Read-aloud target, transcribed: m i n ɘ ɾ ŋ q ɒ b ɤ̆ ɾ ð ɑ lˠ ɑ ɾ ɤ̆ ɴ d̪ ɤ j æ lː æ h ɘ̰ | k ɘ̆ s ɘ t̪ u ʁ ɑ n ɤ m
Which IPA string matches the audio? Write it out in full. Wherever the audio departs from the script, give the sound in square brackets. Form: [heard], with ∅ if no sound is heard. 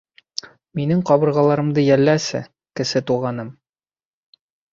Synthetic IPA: m i n ɘ [∅] ŋ q ɒ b ɤ̆ ɾ [ʁ] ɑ lˠ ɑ ɾ ɤ̆ [m] d̪ ɤ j æ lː æ [s] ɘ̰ | k ɘ̆ s ɘ t̪ u ʁ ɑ n ɤ m